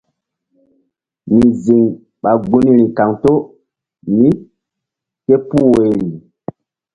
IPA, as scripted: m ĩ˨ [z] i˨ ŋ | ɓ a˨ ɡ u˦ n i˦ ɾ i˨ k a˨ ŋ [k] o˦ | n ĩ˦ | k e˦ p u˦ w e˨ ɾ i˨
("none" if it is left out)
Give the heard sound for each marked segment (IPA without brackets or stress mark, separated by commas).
z, t